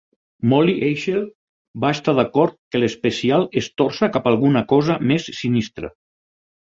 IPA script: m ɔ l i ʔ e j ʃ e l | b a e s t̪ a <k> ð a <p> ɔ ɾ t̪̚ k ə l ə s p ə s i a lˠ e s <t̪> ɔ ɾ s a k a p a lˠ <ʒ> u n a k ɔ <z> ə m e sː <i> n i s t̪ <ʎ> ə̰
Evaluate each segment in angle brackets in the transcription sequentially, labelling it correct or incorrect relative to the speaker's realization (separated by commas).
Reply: incorrect, incorrect, correct, incorrect, correct, correct, incorrect